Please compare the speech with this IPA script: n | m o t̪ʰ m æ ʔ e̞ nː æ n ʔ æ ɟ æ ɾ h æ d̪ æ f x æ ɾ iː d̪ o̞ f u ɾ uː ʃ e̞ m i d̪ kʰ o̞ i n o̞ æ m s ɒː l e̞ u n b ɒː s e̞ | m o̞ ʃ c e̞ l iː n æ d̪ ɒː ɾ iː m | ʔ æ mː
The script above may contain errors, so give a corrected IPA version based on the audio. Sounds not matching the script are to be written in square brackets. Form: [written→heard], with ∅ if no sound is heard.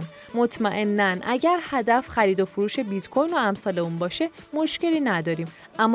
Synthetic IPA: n | m o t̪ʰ m æ ʔ e̞ nː æ n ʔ æ ɟ æ ɾ h æ d̪ æ f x æ ɾ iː d̪ o̞ f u ɾ uː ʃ e̞ [m→b] i [d̪→t̪] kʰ o̞ [i→j] n o̞ æ m s ɒː l e̞ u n b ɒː [s→ʃ] e̞ | m o̞ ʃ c e̞ l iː n æ d̪ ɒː ɾ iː m | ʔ æ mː